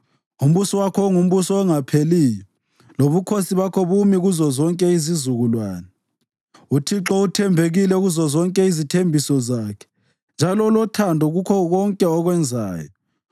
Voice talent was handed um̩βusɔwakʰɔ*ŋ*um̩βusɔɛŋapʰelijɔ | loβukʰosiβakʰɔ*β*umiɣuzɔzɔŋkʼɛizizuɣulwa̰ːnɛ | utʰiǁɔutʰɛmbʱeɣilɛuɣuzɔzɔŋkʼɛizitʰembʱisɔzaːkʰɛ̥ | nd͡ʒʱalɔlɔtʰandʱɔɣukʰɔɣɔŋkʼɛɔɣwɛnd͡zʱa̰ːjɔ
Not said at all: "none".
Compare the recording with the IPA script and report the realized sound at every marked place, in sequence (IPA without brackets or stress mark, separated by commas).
ŋ, β